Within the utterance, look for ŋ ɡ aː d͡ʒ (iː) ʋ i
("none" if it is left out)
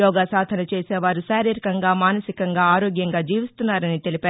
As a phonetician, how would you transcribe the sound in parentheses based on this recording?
iː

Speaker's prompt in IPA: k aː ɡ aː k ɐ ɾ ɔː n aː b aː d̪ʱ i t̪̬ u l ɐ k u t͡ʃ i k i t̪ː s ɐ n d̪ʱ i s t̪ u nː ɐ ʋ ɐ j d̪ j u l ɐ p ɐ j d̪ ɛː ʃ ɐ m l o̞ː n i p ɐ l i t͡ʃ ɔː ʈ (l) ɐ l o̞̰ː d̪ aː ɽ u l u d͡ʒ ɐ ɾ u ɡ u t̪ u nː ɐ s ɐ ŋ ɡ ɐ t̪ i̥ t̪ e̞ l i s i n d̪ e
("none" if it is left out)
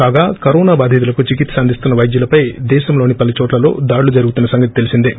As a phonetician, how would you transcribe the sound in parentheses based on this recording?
l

